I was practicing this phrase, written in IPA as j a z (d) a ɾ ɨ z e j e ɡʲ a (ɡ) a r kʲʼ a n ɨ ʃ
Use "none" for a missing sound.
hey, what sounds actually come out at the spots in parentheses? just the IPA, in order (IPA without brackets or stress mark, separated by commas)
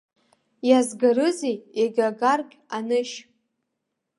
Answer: ɡ, ɡ